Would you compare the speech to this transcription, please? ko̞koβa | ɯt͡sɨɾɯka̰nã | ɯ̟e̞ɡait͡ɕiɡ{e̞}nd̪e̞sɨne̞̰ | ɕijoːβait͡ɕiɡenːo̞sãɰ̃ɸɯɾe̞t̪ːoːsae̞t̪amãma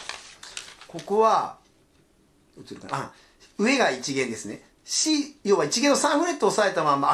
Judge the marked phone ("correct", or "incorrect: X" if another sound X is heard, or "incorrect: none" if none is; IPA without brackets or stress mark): incorrect: ẽ̞